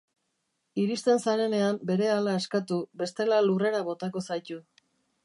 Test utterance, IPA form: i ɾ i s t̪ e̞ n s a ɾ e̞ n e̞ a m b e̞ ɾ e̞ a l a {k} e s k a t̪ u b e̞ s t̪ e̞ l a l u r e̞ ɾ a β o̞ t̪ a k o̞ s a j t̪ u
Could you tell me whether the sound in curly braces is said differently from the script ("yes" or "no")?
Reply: yes